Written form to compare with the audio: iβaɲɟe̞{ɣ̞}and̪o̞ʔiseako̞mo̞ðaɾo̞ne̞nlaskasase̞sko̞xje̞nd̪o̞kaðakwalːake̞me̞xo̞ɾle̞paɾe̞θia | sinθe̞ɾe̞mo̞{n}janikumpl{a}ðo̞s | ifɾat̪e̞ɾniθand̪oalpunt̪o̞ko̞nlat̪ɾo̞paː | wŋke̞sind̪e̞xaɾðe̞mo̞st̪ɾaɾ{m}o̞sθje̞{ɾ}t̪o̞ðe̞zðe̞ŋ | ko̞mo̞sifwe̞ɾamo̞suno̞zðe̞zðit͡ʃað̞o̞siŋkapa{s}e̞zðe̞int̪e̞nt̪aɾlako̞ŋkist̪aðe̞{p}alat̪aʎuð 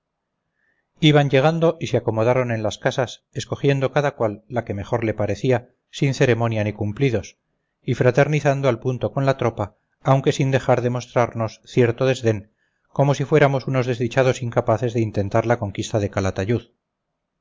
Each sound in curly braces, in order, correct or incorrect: correct, correct, incorrect: i, incorrect: n, correct, incorrect: θ, incorrect: k

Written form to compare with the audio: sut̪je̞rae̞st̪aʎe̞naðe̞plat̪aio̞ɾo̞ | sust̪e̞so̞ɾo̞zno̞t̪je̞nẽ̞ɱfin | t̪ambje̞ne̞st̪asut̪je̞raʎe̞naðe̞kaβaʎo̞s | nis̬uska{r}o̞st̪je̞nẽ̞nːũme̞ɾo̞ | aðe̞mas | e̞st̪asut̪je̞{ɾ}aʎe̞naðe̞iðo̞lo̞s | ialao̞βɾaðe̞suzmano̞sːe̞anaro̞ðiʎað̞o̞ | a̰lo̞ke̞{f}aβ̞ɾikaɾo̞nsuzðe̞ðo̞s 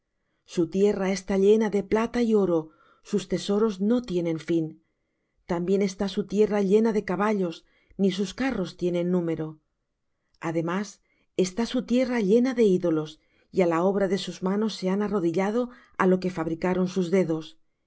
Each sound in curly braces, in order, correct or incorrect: correct, incorrect: r, correct

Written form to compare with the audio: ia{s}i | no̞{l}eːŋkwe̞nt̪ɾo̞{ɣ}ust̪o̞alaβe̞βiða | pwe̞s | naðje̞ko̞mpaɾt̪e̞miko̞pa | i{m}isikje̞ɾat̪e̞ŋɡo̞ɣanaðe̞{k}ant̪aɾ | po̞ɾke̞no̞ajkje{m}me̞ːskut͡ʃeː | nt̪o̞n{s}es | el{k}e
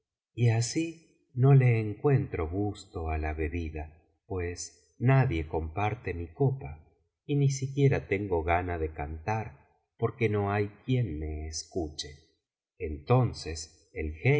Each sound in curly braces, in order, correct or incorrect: correct, correct, correct, incorrect: n, correct, incorrect: n, correct, incorrect: x

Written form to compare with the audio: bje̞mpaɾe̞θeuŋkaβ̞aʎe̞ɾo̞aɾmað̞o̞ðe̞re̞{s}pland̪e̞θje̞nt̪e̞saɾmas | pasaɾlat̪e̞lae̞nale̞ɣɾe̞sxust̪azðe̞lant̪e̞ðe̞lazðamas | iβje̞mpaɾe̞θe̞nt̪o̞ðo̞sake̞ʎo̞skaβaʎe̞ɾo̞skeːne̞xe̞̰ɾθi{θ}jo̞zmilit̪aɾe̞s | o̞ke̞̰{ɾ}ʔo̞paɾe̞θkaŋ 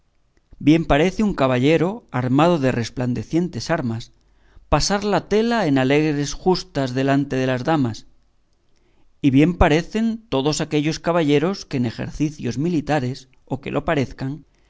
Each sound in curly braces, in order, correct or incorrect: correct, correct, incorrect: l

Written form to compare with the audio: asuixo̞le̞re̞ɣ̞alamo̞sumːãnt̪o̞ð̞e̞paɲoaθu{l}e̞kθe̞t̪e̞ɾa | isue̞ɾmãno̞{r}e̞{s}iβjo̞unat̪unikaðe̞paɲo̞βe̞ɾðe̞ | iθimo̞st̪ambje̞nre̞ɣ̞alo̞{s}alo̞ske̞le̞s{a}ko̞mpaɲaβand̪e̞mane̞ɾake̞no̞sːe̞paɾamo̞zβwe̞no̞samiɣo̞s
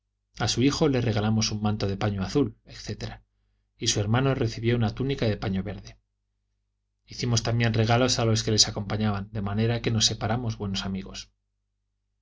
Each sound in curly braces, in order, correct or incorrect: correct, correct, incorrect: θ, correct, correct

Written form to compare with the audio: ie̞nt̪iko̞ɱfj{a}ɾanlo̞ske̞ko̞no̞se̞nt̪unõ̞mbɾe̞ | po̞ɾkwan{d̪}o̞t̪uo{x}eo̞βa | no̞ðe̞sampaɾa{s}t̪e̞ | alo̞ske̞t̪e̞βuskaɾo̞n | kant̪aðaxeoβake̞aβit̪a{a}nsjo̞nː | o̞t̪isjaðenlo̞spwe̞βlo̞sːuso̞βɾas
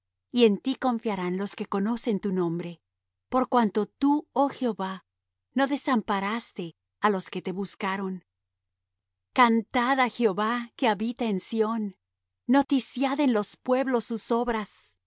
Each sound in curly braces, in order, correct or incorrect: correct, incorrect: t̪, correct, correct, incorrect: e

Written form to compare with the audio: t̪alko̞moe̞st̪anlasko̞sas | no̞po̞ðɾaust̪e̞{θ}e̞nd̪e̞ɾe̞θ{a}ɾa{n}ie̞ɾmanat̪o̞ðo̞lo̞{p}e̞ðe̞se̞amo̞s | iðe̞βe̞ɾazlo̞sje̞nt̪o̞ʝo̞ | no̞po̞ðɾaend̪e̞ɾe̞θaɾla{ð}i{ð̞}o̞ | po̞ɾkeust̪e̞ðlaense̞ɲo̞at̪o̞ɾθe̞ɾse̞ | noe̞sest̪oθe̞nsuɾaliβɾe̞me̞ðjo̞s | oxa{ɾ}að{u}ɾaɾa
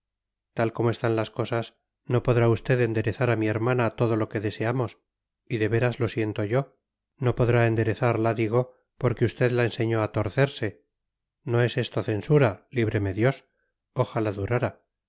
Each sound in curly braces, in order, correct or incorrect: incorrect: ð, correct, incorrect: m, incorrect: k, correct, incorrect: ɣ̞, incorrect: l, correct

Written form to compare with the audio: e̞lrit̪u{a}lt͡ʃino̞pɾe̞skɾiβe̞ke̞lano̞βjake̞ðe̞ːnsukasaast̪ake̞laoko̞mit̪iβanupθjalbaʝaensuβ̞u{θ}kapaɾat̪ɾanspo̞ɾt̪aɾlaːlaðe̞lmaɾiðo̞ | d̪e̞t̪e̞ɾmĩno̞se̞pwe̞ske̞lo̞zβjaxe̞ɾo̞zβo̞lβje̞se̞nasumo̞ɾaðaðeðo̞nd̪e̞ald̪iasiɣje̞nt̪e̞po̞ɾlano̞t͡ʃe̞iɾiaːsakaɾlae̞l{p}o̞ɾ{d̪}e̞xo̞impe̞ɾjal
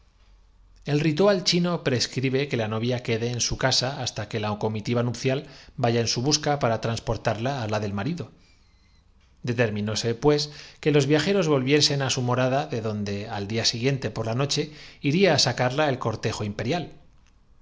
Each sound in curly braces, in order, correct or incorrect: correct, incorrect: s, incorrect: k, incorrect: t̪

